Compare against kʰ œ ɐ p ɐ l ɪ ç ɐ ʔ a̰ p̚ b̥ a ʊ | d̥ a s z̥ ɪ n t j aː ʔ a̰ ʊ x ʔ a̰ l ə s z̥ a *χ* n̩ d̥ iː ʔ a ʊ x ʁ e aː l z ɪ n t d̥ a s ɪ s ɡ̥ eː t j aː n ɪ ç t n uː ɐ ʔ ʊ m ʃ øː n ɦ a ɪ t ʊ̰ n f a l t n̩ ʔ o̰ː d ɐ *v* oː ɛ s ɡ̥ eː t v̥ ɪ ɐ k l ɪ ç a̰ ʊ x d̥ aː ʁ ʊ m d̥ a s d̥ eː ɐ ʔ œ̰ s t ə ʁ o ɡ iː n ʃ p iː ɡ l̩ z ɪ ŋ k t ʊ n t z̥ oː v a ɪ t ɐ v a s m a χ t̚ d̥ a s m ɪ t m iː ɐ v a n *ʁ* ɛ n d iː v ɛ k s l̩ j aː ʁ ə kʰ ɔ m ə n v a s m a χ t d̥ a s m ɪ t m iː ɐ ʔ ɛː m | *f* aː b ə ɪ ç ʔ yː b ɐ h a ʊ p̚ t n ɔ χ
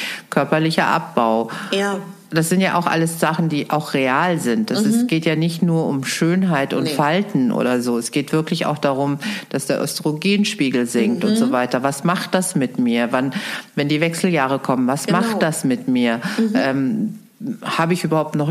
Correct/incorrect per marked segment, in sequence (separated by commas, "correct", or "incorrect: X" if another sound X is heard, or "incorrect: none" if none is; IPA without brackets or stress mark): correct, incorrect: z, incorrect: v, incorrect: h